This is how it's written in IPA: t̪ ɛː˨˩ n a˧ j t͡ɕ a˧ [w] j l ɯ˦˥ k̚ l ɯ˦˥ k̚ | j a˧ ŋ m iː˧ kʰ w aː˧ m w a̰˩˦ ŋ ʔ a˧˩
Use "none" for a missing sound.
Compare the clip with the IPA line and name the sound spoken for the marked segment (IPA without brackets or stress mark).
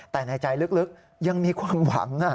none